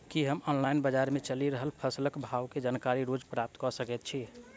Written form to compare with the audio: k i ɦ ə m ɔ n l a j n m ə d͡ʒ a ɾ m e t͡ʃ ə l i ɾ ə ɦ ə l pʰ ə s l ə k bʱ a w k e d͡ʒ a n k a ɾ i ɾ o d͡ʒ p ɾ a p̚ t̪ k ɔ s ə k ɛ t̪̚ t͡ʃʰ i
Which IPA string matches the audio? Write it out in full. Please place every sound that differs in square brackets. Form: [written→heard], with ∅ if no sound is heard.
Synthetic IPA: k i ɦ ə m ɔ n l a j n [m→b] ə d͡ʒ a ɾ m e t͡ʃ ə l i ɾ ə ɦ ə l pʰ ə s l ə k bʱ a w k e d͡ʒ a n k a ɾ i ɾ o d͡ʒ p ɾ a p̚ t̪ k ɔ s ə k ɛ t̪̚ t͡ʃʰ i